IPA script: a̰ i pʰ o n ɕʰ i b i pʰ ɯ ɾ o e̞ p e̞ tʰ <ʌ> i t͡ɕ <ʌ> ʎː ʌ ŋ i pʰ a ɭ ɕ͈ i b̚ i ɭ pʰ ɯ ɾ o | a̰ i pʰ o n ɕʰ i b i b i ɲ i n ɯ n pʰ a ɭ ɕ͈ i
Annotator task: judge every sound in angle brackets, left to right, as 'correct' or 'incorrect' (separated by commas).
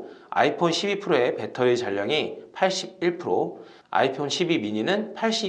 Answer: correct, incorrect